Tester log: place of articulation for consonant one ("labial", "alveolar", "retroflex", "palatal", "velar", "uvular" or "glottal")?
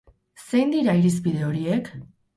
alveolar